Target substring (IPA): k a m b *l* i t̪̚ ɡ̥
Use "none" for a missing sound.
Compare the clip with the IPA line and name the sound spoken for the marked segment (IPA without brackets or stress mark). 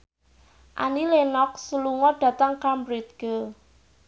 ɾ